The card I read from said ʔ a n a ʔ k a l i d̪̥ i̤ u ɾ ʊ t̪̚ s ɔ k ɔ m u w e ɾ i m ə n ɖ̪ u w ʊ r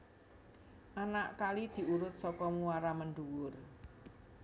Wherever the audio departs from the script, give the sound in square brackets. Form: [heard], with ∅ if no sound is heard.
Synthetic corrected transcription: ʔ a n a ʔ k a l i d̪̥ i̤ u ɾ ʊ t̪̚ s ɔ k ɔ m u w [a] ɾ [a] m ə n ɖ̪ u w ʊ r

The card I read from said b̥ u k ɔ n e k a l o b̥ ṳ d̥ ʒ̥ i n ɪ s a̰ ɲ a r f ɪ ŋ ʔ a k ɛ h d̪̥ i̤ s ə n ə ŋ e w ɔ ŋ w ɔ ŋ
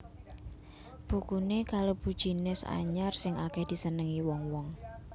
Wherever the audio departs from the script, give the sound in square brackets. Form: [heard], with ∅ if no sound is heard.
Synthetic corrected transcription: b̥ u k [u] n e k a l o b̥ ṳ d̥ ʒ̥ i n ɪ s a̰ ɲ a r [s] ɪ ŋ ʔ a k ɛ h d̪̥ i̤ s ə n ə ŋ [i] w ɔ ŋ w ɔ ŋ

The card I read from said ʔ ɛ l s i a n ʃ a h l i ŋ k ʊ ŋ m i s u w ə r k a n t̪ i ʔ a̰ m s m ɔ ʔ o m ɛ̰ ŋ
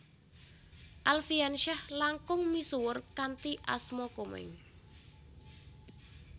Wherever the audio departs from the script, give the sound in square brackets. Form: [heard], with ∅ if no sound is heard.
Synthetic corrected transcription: ʔ [a] l [f] i a n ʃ a h l [a] ŋ k ʊ ŋ m i s u w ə r k a n t̪ i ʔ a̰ [∅] s m ɔ [k] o m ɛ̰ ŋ

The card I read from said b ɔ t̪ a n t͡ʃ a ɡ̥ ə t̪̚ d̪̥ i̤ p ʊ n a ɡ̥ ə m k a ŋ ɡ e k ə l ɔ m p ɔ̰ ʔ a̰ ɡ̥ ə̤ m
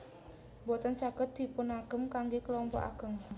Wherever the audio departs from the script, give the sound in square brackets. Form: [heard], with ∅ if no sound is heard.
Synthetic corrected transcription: b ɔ t̪ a n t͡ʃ a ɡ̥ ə t̪̚ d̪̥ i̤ p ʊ n a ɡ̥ ə m k a ŋ ɡ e k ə l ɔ m p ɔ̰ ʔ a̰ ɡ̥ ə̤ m

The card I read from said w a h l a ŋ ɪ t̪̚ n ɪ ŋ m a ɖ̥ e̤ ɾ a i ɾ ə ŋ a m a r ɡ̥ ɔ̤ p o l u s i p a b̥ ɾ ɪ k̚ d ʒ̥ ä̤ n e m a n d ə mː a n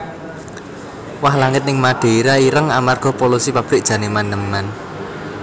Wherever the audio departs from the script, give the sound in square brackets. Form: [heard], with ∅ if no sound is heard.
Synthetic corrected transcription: w a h l a ŋ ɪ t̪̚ n ɪ ŋ m a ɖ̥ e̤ ɾ a i ɾ ə ŋ a m a r ɡ̥ ɔ̤ p o l u s i p a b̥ ɾ ɪ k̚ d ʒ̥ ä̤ n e m a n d ə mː a n

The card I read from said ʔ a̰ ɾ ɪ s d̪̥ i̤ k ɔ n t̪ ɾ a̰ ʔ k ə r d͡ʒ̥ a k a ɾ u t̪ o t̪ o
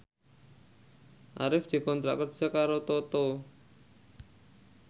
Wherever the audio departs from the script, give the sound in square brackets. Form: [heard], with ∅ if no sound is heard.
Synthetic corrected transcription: ʔ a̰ ɾ ɪ [f] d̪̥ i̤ k ɔ n t̪ ɾ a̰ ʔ k ə r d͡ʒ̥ a k a ɾ [o] t̪ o t̪ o

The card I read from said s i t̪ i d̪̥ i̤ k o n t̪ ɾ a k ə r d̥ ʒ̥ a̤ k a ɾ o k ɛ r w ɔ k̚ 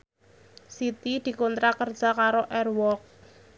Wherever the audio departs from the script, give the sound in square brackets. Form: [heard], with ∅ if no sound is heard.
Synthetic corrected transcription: s i t̪ i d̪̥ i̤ k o n t̪ ɾ a k ə r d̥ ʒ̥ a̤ k a ɾ o [ʔ] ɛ r w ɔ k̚

